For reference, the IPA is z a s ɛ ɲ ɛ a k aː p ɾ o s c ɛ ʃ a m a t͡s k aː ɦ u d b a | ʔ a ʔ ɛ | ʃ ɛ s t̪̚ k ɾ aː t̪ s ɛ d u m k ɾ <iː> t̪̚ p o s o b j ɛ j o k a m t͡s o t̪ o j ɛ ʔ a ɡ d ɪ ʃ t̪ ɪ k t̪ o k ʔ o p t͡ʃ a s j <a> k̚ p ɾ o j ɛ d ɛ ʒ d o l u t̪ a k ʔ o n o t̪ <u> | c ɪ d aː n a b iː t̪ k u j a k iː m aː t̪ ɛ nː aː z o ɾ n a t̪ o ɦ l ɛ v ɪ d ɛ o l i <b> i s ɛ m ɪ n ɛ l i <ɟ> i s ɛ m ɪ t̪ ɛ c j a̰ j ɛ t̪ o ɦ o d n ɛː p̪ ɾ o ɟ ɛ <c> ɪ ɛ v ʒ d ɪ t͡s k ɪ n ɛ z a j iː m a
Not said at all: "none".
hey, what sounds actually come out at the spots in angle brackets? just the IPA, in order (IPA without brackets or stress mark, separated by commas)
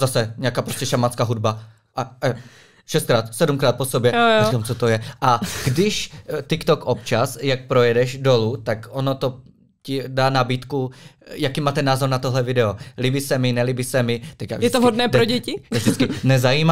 aː, a, o, b, b, c